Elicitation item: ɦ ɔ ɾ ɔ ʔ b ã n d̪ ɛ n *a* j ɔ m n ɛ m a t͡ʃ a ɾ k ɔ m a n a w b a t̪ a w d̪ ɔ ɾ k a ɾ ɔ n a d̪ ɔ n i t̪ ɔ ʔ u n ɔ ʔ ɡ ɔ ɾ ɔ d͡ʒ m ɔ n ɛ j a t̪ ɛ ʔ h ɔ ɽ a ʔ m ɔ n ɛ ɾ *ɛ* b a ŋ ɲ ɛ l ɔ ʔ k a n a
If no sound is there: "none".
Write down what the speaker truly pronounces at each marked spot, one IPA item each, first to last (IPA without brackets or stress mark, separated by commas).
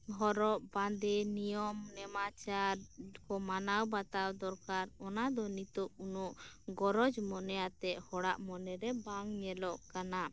i, ɛ